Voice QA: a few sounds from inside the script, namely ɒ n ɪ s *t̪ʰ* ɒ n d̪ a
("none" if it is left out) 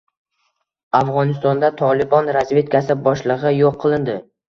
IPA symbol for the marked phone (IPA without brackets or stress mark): t̪